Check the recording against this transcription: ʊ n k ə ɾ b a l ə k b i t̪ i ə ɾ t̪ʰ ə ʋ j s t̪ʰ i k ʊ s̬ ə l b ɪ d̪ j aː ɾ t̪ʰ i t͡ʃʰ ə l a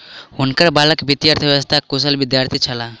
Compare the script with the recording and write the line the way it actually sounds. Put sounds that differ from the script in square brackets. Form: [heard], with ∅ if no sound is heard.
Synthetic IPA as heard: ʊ n k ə ɾ b a l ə k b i t̪ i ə ɾ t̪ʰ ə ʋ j s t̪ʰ [a] k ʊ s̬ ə l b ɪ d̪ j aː ɾ t̪ʰ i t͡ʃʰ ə l a